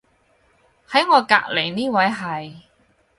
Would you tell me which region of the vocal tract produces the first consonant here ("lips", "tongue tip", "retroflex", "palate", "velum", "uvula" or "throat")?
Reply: throat